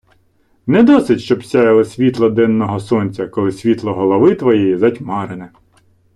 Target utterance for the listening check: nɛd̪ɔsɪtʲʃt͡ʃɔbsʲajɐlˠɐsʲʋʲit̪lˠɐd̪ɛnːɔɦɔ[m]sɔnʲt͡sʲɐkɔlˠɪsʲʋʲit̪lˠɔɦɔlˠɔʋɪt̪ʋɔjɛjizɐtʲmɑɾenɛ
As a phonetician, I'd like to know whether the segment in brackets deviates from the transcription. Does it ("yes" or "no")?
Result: yes